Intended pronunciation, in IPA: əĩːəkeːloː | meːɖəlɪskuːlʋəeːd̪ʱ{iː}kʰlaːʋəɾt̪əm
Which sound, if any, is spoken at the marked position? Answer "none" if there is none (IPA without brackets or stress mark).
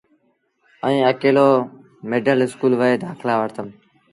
aː